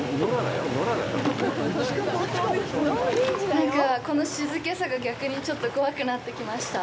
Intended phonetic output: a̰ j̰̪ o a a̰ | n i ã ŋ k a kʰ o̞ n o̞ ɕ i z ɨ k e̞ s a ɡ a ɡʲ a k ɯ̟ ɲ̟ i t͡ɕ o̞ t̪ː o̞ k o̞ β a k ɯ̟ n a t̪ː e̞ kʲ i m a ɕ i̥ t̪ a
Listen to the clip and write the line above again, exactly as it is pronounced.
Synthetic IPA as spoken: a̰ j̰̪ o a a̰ | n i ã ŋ k a k o̞ n o̞ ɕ i z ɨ k e̞ s a ɡ a ɡʲ a k ɯ̟ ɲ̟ i t͡ɕ o̞ t̪ː o̞ k o̞ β a k ɯ̟ n a t̪ː e̞ kʲ i m a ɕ i̥ t̪ a